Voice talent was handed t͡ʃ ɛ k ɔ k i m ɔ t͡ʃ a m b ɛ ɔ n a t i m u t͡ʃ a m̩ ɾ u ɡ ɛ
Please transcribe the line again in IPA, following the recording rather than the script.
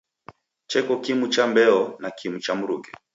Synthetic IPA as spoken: t͡ʃ ɛ k ɔ k i m u t͡ʃ a m b ɛ ɔ n a k i m u t͡ʃ a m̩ ɾ u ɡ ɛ